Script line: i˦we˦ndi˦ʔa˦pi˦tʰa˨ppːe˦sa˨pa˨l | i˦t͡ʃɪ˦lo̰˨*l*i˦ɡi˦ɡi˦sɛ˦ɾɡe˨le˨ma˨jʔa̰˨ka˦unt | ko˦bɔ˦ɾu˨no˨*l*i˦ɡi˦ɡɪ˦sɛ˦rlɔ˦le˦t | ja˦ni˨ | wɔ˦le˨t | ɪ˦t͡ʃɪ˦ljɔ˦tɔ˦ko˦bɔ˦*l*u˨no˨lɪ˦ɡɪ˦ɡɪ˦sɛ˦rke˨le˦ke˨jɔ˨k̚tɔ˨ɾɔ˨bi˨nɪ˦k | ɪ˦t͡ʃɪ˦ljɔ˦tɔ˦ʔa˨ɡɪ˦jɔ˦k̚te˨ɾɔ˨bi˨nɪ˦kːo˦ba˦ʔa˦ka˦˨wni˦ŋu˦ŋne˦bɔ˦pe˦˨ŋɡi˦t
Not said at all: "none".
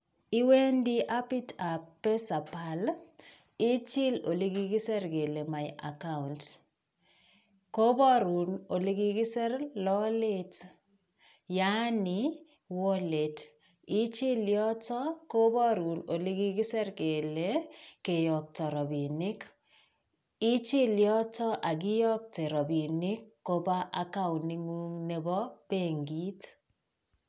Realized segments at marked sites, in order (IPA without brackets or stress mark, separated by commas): l, l, ɾ